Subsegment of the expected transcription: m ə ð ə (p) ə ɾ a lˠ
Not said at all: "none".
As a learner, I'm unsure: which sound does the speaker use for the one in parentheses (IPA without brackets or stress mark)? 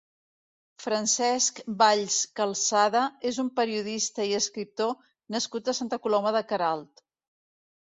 k